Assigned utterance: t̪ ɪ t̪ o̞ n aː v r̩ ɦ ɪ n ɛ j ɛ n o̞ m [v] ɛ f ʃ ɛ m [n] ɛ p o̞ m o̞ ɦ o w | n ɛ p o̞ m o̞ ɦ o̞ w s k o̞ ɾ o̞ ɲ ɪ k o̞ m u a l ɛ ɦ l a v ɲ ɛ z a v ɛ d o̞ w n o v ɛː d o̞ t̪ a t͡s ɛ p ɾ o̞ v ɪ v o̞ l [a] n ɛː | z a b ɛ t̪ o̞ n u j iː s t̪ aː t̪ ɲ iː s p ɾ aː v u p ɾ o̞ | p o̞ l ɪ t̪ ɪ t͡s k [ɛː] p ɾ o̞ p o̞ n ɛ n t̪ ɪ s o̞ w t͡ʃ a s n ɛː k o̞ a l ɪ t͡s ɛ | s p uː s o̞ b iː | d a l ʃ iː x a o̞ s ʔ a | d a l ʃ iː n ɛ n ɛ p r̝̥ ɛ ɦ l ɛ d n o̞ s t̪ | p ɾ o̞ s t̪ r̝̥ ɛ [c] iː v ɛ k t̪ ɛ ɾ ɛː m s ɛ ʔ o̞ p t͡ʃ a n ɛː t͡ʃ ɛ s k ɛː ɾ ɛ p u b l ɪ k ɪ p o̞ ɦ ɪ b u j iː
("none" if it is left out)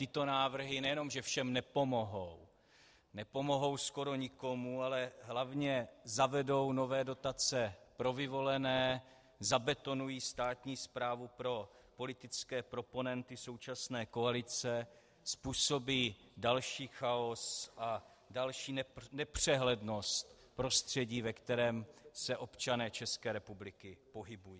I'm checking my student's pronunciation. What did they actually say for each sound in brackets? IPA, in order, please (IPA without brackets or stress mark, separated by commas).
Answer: ʒ, n, ɛ, ɛː, ɟ